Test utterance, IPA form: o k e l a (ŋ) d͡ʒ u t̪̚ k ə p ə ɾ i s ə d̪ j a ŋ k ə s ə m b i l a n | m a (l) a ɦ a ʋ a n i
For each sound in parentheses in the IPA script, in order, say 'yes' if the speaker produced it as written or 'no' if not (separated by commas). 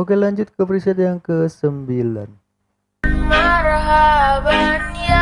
no, no